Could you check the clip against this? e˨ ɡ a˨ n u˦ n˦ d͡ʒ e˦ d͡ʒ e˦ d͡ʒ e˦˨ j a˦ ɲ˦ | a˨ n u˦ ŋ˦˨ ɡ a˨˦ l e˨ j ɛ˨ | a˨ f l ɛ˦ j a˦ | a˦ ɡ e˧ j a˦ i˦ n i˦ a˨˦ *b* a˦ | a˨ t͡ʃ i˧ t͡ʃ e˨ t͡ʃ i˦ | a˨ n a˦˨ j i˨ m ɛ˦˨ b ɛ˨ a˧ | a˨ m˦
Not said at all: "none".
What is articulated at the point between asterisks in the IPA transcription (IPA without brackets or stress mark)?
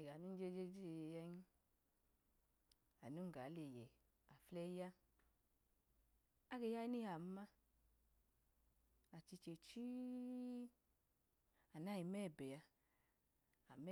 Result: m